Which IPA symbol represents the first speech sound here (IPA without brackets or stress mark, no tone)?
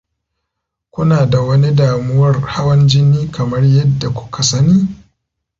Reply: kʷ